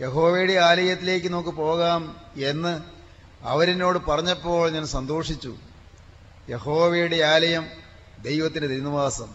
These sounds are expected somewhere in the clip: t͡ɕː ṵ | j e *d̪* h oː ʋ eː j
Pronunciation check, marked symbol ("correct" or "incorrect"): incorrect